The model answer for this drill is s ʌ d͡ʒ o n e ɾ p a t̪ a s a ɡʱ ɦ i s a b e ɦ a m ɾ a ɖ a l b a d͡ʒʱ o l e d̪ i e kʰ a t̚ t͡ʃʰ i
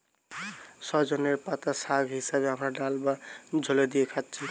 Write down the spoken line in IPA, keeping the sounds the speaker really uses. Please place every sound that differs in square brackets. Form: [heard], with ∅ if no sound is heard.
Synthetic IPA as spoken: s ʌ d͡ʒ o n e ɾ p a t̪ a s a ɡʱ ɦ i s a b e ɦ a m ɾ a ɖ a l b a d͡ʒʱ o l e d̪ i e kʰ a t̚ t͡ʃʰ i